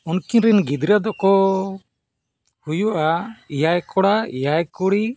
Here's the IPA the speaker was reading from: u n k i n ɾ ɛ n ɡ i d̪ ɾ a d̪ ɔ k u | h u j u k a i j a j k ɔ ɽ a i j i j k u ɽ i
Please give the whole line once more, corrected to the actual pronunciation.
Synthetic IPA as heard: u n k i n ɾ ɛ n ɡ i d̪ ɾ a d̪ ɔ k ɔ | h u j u ʔ a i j a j k ɔ ɽ a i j a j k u ɽ i